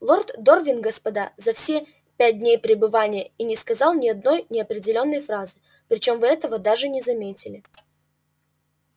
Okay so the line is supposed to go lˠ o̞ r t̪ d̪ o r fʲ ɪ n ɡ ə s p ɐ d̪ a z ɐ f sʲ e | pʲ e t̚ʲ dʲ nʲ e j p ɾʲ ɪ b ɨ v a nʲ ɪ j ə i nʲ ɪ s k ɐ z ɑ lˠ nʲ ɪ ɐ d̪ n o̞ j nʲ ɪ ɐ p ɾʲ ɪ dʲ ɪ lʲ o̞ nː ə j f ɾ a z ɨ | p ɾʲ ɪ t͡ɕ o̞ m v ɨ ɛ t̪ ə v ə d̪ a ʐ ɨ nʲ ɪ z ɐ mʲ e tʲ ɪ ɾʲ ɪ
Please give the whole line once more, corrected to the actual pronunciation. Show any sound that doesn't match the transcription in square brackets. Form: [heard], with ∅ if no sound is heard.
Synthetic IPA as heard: lˠ o̞ r t̪ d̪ o r [vʲ] ɪ n ɡ ə s p ɐ d̪ a z ɐ f sʲ e | pʲ [æ] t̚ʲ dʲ nʲ e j p ɾʲ ɪ b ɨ v a nʲ ɪ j ə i nʲ ɪ s k ɐ z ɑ lˠ nʲ ɪ ɐ d̪ n o̞ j nʲ ɪ ɐ p ɾʲ ɪ dʲ ɪ lʲ o̞ nː ə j f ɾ a z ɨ | p ɾʲ ɪ t͡ɕ o̞ m v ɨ ɛ t̪ ə v ə d̪ a ʐ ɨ nʲ ɪ z ɐ mʲ e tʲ ɪ [lʲ] ɪ